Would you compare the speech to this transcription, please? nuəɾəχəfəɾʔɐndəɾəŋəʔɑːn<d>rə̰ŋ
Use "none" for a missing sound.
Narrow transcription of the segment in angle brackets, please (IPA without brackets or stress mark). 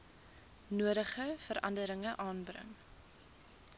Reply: b